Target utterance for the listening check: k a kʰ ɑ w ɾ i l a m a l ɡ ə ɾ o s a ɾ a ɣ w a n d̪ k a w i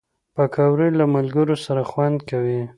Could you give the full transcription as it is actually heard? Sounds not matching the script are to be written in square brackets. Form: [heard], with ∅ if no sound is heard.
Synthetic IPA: [p] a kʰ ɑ w ɾ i l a m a l ɡ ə ɾ o s a ɾ a [x] w a n d̪ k a w i